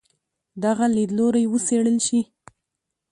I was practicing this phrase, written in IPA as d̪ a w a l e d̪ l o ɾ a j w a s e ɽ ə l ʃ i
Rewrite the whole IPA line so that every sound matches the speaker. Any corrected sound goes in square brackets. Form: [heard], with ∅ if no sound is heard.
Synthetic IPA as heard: d̪ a [ɣ] a l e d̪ l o ɾ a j w [ə] s e ɽ ə l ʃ i